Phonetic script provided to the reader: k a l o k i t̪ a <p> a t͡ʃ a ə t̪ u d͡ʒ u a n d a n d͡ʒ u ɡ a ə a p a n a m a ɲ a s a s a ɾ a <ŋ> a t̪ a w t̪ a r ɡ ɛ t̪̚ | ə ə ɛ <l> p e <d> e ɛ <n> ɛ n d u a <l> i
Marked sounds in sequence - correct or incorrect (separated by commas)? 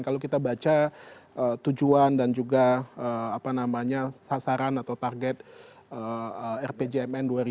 incorrect, incorrect, incorrect, incorrect, incorrect, incorrect